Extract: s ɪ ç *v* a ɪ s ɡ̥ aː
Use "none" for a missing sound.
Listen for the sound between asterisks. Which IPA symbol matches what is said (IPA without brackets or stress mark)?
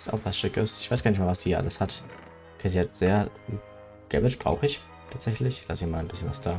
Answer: v